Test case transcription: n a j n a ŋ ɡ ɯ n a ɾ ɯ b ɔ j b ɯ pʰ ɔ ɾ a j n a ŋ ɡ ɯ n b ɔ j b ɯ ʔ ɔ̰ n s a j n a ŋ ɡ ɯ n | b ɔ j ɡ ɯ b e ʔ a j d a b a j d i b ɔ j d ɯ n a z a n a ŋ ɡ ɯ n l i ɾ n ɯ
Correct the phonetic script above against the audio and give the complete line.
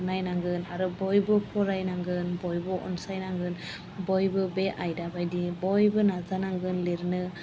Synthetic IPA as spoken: n a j n a ŋ ɡ ɯ n a ɾ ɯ b ɔ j b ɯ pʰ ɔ ɾ a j n a ŋ ɡ ɯ n b ɔ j b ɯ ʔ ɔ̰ n s a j n a ŋ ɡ ɯ n | b ɔ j b ɯ b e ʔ a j d a b a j d i b ɔ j b ɯ n a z a n a ŋ ɡ ɯ n l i ɾ n ɯ

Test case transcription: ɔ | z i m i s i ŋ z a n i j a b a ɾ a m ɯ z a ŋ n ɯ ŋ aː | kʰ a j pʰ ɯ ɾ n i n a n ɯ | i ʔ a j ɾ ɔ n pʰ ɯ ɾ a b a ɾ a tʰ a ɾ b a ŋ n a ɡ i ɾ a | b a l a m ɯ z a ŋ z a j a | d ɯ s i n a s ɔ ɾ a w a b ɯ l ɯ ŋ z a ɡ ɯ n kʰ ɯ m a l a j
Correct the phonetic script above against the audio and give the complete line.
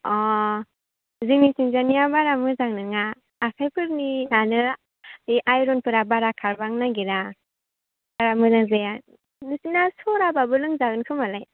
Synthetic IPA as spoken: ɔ | z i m i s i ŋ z a n i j a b a ɾ a m ɯ z a ŋ n ɯ ŋ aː | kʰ a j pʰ ɯ ɾ n i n a n ɯ | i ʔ a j ɾ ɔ n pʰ ɯ ɾ a b a ɾ a kʰ a ɾ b a ŋ n a ɡ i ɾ a | b a ɾ a m ɯ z a ŋ z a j a | n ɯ s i n a s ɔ ɾ a b a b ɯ l ɯ ŋ z a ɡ ɯ n kʰ ɯ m a l a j

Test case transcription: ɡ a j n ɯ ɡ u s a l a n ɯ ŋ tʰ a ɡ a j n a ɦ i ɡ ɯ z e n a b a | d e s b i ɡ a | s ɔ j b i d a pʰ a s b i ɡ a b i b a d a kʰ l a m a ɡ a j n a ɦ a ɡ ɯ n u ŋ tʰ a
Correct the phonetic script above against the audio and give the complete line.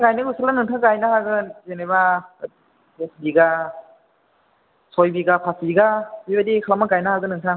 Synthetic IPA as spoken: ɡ a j n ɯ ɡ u s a l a n ɯ ŋ tʰ a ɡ a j n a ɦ a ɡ ɯ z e n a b a | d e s b i ɡ a | s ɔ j b i ɡ a pʰ a s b i ɡ a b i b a d i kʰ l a m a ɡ a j n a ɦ a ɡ ɯ n ɯ ŋ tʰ a

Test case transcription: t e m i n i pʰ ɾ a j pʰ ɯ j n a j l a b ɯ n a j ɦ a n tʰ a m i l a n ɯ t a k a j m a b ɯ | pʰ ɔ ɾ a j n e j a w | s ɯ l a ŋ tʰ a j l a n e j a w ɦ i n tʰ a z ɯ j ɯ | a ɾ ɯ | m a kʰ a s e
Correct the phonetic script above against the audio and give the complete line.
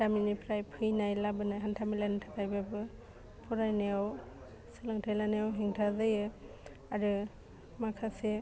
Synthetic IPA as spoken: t a m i n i pʰ ɾ a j pʰ ɯ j n a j l a b ɯ n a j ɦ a n tʰ a m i l a n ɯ tʰ a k a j b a b ɯ | pʰ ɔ ɾ a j n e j a w | s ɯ l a ŋ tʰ a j l a n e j a w ɦ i ŋ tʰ a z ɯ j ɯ | a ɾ ɯ | m a kʰ a s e

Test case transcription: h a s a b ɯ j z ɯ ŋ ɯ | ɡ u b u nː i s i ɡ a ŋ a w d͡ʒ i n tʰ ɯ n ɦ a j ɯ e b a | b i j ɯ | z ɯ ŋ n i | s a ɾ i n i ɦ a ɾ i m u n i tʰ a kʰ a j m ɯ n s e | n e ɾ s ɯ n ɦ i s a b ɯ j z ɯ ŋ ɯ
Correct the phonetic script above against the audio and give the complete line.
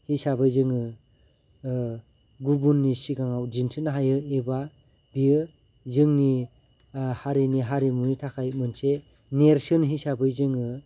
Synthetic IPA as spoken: h i s a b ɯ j z ɯ ŋ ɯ | ɡ u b u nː i s i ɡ a ŋ a w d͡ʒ i n tʰ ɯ n ɦ a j ɯ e b a | b i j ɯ | z ɯ ŋ n i | h a ɾ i n i ɦ a ɾ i m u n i tʰ a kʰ a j m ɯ n s e | n e ɾ s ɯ n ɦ i s a b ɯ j z ɯ ŋ ɯ

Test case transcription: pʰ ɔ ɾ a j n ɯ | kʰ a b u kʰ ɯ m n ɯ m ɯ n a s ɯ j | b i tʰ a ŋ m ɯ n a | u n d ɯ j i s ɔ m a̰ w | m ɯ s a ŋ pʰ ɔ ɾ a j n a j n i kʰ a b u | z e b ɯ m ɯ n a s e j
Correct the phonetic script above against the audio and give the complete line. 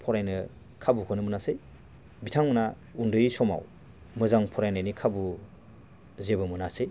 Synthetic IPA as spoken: pʰ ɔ ɾ a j n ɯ | kʰ a b u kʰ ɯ n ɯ m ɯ n a s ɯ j | b i tʰ a ŋ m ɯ n a | u n d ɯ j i s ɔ m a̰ w | m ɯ z a ŋ pʰ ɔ ɾ a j n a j n i kʰ a b u | z e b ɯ m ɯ n a s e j

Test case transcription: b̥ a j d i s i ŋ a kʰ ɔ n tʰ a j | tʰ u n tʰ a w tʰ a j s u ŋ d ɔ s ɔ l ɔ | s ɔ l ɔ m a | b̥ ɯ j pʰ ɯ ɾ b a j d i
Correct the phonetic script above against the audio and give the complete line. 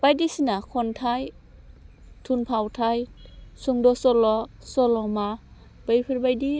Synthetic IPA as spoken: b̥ a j d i s i n a kʰ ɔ n tʰ a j | tʰ u n pʰ a w tʰ a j s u ŋ d ɔ s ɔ l ɔ | s ɔ l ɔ m a | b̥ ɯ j pʰ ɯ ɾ b a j d i

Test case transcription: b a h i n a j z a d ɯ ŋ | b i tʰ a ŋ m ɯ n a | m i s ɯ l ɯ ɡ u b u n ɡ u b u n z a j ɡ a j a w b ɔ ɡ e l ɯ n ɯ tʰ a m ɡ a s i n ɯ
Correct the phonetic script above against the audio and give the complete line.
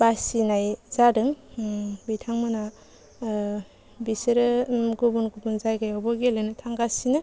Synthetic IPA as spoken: b a s i n a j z a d ɯ ŋ | b i tʰ a ŋ m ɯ n a | b i s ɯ ɾ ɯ ɡ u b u n ɡ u b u n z a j ɡ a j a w b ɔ ɡ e l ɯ n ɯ tʰ a ŋ ɡ a s i n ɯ

